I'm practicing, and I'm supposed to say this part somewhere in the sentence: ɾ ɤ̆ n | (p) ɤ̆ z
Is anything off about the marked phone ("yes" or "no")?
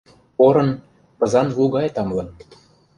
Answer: no